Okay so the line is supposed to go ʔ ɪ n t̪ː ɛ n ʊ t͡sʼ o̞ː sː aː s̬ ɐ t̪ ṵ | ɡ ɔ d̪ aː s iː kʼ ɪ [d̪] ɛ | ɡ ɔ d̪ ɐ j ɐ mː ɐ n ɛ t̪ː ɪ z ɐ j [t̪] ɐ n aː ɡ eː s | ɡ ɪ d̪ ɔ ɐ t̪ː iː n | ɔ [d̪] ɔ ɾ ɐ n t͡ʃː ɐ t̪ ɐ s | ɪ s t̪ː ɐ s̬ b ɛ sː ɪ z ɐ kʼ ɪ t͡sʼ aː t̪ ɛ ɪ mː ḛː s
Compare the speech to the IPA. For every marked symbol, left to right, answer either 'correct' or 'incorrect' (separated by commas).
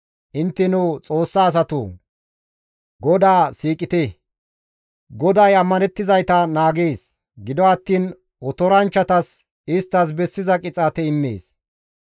incorrect, correct, incorrect